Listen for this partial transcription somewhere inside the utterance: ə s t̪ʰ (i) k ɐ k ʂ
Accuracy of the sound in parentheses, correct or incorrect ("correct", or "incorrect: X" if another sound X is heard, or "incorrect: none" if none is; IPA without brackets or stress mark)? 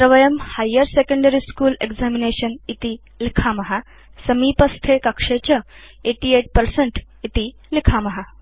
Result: incorrect: e